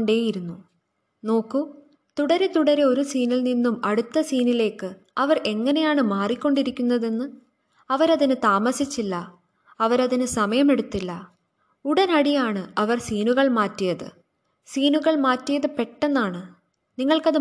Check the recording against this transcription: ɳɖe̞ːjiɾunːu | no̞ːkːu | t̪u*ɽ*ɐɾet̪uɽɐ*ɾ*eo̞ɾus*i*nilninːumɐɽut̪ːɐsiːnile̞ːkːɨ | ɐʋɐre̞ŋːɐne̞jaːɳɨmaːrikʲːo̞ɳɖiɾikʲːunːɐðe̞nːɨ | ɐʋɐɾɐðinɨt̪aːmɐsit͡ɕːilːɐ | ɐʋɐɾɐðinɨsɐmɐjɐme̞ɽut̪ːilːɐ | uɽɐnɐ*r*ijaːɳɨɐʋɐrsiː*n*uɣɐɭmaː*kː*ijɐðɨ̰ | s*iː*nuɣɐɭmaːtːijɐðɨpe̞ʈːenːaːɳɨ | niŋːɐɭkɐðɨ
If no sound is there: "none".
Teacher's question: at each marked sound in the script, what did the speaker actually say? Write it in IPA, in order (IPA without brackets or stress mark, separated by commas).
ɽ, ɾ, iː, ɽ, n, tː, iː